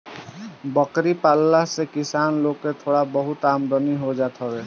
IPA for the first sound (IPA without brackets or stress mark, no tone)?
b